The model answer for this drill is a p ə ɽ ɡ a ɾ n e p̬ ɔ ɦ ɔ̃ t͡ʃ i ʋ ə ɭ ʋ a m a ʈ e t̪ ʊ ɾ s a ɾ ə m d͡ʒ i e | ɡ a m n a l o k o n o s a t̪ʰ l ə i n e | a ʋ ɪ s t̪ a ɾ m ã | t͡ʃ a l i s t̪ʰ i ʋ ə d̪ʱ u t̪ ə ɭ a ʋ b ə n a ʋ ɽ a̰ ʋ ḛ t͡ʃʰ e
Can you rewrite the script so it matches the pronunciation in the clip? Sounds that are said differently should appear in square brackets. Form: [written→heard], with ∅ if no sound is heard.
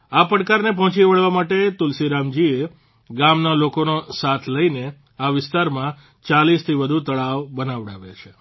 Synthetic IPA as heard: a p ə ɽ [ɡ→k] a ɾ n e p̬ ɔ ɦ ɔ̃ t͡ʃ i ʋ ə ɭ ʋ a m a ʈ e t̪ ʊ [ɾ→l] s [a→i] ɾ [ə→a] m d͡ʒ i e | ɡ a m n a l o k o n o s a t̪ʰ l ə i n e | a ʋ ɪ s t̪ a ɾ m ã | t͡ʃ a l i s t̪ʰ i ʋ ə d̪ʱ u t̪ ə ɭ a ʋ b ə n a ʋ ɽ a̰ ʋ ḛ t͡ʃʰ e